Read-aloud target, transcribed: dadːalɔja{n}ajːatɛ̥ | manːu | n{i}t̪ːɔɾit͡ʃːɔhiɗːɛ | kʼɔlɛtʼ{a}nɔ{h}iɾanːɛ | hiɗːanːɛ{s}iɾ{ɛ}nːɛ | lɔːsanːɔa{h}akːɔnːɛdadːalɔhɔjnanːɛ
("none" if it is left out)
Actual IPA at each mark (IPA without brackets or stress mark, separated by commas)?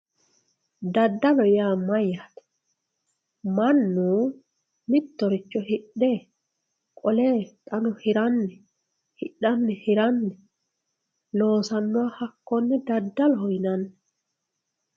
m, i, a, h, h, a, h